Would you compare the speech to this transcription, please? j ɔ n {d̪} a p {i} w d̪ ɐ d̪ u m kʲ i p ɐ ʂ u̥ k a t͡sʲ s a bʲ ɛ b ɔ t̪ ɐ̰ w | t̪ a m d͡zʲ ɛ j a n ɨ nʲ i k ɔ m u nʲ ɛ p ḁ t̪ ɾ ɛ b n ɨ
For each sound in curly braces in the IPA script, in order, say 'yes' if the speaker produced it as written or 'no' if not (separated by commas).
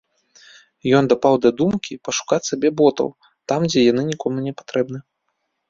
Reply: yes, no